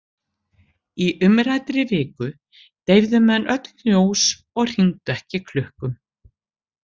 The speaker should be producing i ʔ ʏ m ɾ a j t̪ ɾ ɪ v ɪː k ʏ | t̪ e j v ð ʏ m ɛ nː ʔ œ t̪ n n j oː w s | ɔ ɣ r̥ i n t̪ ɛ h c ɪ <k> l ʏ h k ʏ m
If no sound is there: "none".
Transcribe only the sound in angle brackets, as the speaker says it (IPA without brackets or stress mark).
kʰ